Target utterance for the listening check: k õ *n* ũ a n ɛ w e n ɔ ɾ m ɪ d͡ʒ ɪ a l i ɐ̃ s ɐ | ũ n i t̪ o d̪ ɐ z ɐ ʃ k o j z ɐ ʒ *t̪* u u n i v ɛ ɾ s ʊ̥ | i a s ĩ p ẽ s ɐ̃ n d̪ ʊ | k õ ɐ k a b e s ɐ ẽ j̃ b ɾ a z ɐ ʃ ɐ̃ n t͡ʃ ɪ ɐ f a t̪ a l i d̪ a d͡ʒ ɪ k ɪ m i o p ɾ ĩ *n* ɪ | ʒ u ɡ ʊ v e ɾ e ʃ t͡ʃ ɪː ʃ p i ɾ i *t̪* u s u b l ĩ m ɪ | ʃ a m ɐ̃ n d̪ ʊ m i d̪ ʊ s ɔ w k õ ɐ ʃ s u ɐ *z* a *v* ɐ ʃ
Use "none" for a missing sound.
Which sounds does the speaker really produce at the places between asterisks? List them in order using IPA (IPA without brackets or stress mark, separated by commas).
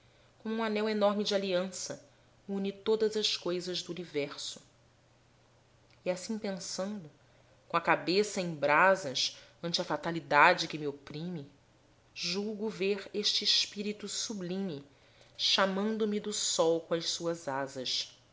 m, d̪, m, t̪, z, z